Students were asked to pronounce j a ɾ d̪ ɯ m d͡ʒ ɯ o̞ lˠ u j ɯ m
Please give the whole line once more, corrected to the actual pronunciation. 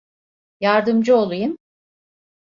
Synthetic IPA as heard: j a ɾ d̪ ɯ m d͡ʒ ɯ o̞ lˠ u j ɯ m